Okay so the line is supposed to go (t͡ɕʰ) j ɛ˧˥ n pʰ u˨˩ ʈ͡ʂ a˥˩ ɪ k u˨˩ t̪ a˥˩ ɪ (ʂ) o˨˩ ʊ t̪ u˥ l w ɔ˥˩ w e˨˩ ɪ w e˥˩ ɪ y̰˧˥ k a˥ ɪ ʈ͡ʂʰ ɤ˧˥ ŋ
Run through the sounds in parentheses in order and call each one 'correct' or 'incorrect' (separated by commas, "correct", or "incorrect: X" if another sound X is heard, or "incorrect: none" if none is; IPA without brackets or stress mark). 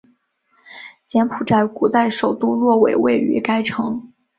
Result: incorrect: t͡ɕ, correct